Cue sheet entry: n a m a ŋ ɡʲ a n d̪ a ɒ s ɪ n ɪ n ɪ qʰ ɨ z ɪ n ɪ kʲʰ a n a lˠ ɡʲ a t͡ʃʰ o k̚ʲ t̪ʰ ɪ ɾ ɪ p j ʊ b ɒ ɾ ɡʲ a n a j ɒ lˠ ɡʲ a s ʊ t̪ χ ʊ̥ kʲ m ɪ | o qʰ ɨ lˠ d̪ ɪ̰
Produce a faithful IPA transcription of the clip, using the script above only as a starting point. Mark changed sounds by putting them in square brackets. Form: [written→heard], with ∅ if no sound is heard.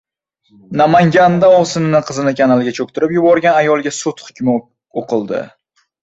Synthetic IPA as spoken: n a m a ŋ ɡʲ a n d̪ a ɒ s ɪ n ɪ n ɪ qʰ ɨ z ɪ n ɪ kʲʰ a n a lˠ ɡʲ a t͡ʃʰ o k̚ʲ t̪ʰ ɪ ɾ ɪ p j ʊ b ɒ ɾ ɡʲ a n a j ɒ lˠ ɡʲ a s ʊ t̪ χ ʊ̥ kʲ m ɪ | o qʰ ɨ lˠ d̪ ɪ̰